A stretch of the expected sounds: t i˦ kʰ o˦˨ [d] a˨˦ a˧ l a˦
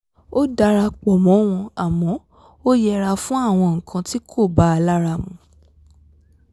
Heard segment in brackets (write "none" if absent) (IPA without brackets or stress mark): b